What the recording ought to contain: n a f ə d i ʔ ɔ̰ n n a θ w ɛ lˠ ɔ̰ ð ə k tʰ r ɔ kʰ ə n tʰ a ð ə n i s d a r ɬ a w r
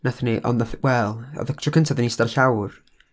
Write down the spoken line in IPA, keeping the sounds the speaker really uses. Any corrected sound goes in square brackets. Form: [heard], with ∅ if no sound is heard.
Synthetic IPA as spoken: n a [θ] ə [n] i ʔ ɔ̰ n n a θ w ɛ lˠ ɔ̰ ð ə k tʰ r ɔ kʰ ə n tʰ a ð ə n i s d a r ɬ a w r